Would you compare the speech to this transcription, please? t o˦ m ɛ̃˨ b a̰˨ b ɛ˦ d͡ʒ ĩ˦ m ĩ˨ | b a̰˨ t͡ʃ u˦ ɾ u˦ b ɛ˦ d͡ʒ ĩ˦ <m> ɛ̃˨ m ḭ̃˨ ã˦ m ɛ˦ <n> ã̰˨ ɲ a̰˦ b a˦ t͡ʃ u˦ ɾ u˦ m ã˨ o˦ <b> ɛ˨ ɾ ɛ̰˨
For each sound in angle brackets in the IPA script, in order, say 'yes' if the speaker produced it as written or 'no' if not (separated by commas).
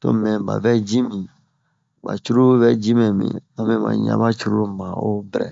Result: yes, no, yes